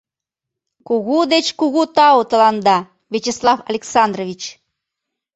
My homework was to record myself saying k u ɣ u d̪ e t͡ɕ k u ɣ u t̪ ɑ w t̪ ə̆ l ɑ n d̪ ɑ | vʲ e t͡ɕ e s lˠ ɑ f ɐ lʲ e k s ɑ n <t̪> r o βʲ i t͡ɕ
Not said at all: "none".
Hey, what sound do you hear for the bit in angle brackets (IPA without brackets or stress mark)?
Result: d̪